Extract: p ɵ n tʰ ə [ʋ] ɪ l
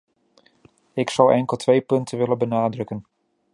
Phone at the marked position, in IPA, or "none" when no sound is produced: ʋ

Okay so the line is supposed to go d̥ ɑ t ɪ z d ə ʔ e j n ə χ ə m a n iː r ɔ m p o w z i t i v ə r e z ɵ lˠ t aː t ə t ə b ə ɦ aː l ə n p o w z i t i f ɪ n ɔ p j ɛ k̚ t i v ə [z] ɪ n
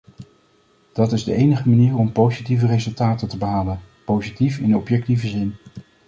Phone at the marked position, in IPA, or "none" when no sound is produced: z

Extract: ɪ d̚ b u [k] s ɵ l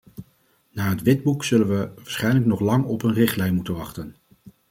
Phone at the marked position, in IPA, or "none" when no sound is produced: k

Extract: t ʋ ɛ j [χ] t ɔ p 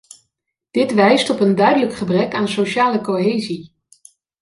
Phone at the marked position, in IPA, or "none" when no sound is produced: s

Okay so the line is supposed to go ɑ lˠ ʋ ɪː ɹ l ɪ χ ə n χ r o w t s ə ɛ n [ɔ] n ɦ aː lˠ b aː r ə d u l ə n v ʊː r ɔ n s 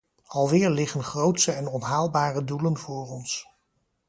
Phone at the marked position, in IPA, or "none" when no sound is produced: ɔ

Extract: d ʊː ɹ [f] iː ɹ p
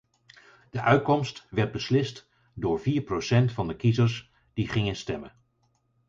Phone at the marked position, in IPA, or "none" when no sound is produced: v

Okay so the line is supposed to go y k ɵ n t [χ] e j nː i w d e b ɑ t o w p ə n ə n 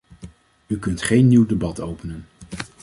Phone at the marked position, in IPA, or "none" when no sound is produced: χ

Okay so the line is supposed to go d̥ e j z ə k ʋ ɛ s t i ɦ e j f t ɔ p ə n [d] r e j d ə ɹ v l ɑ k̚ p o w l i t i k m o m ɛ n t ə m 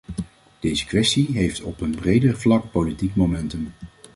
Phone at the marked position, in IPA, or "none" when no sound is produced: b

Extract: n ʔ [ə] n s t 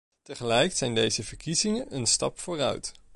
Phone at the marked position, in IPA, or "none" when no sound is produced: ə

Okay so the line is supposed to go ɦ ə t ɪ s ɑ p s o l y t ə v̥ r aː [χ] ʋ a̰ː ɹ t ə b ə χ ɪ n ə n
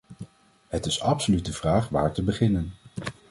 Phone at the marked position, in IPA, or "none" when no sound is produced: χ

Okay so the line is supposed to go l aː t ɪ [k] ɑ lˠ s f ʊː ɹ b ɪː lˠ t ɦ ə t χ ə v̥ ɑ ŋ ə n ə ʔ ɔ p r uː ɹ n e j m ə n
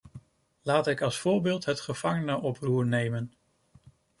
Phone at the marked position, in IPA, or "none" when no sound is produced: k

